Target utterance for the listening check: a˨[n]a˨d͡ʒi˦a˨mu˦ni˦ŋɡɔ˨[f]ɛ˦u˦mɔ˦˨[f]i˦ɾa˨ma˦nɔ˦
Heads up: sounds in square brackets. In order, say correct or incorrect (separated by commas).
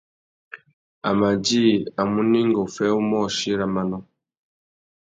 incorrect, correct, incorrect